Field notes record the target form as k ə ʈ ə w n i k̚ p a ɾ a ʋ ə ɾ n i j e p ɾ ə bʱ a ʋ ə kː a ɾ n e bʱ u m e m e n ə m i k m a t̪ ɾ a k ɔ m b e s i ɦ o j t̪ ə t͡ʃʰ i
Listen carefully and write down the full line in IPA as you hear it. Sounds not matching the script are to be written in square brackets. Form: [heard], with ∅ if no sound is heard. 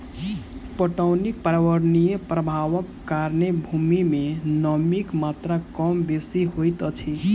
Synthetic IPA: [p] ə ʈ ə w n i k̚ p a ɾ a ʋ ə ɾ n i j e p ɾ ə bʱ a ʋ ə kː a ɾ n e bʱ u m [i] m e n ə m i k m a t̪ ɾ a k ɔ m b e s i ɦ o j t̪ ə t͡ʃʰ i